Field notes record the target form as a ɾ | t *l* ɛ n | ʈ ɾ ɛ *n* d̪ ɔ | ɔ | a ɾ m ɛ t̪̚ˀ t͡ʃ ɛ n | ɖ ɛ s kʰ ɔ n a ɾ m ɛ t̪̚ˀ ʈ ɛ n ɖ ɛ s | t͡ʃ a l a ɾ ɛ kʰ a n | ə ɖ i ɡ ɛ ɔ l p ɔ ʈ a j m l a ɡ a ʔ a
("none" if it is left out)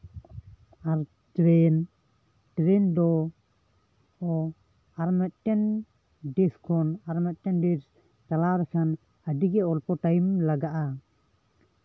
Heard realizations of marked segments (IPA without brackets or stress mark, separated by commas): ɾ, n